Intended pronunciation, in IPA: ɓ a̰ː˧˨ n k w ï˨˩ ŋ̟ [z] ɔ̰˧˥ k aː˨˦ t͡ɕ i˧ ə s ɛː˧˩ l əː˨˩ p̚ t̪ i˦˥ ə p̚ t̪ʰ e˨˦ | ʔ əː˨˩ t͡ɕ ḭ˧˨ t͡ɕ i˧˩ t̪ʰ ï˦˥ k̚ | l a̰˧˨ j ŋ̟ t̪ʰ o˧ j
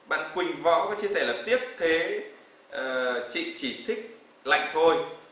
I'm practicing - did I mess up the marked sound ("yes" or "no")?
yes